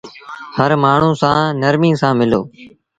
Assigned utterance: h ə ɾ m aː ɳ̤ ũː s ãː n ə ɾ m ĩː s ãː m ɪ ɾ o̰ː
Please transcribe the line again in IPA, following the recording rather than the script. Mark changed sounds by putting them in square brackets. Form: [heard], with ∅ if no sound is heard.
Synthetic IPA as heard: h ə ɾ m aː ɳ̤ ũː s ãː n ə ɾ m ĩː s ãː m ɪ [l] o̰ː